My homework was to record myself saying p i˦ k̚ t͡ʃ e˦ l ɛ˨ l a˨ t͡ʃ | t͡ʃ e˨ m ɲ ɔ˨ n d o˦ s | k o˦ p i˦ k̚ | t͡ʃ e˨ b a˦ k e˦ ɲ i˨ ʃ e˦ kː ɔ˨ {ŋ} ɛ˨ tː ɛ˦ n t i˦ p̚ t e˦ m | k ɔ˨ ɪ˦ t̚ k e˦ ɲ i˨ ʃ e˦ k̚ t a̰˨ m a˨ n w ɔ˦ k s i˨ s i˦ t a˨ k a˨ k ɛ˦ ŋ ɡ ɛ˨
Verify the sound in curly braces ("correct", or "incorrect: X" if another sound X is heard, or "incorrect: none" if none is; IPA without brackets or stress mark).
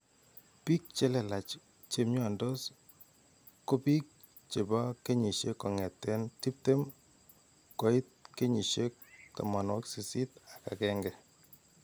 correct